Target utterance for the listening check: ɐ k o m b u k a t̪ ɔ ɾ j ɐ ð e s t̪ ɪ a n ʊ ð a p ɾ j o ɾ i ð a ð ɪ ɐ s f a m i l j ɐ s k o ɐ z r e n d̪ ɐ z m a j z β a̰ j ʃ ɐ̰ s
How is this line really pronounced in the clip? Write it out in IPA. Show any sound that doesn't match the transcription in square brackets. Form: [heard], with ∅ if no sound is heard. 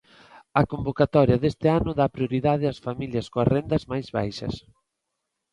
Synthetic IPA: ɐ k o m b [o] k a t̪ ɔ ɾ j ɐ ð e s t̪ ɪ a n ʊ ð a p ɾ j o ɾ i ð a ð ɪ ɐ s f a m i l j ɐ s k o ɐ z r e n d̪ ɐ z m a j z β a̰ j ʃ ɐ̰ s